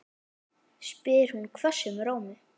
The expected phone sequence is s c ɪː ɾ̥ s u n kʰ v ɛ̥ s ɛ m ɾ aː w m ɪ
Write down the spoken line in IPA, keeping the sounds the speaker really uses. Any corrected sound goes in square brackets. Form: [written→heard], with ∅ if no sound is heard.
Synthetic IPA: s [c→p] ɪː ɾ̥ [s→h] u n kʰ v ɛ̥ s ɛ m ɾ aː w m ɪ